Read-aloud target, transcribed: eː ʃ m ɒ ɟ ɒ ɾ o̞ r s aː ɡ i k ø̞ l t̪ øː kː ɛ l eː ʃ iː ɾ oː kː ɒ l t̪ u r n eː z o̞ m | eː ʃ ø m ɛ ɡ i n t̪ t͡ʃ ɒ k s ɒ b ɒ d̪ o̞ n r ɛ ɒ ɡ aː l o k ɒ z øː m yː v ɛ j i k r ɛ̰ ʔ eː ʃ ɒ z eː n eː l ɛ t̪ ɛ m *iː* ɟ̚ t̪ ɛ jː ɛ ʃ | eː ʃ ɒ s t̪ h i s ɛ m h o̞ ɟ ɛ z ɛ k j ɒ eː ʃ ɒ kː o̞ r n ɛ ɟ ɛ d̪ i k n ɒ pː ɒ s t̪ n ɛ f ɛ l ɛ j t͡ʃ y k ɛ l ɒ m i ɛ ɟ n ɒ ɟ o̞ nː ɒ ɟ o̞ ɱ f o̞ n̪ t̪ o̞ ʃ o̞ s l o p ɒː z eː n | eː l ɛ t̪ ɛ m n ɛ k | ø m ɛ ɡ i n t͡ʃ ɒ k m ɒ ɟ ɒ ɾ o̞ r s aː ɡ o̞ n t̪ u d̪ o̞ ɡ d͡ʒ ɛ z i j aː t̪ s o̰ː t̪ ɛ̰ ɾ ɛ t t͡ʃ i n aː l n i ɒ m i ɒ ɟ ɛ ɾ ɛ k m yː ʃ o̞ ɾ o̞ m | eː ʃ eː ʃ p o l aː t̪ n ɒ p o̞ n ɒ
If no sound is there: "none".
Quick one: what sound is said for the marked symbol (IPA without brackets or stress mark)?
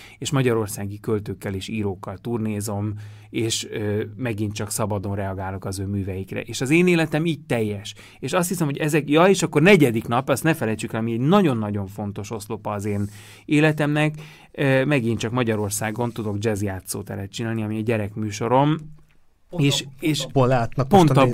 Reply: iː